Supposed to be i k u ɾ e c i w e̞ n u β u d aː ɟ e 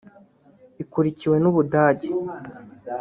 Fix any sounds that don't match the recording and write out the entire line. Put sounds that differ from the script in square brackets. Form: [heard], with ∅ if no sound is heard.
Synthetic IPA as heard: i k u ɾ [i] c i w e̞ n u β u d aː ɟ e